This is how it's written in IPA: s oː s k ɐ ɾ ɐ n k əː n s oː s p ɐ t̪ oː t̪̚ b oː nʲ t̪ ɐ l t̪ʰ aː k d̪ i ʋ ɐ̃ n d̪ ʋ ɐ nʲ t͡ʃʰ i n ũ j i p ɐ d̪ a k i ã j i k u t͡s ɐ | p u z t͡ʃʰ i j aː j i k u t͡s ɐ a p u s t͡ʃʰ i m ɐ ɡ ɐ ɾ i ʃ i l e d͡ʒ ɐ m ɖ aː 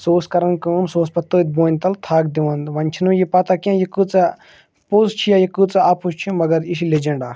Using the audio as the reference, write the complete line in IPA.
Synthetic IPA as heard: s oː s k ɐ ɾ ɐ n k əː m s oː s p ɐ t̪ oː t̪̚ b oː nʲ t̪ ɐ l t̪ʰ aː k d̪ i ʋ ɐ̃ n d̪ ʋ ɐ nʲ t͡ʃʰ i n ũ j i p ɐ t̪ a k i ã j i k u t͡s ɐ | p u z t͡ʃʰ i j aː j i k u t͡s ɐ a p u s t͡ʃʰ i m ɐ ɡ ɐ ɾ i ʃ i l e d͡ʒ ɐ ɳ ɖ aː